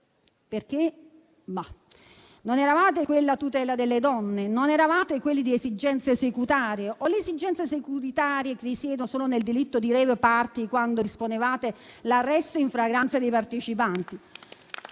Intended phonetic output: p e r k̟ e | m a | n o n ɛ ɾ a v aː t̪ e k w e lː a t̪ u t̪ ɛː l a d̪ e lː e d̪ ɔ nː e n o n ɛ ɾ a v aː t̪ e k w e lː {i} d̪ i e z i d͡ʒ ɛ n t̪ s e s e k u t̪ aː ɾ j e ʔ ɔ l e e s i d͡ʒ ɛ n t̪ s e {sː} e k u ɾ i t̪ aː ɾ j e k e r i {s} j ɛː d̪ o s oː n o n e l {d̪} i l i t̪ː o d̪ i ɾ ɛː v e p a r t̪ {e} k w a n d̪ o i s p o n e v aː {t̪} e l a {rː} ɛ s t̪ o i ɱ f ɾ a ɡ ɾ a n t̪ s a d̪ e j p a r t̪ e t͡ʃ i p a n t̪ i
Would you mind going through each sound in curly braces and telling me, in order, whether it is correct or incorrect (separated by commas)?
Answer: correct, incorrect, correct, correct, incorrect, correct, correct